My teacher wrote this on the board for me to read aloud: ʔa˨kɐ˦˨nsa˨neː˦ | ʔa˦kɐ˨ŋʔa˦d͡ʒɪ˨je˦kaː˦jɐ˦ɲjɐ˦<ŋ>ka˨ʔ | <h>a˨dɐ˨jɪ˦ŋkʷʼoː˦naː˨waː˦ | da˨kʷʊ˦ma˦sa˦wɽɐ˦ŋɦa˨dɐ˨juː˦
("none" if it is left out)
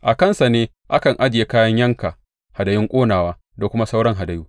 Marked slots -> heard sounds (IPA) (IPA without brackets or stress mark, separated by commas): ŋ, h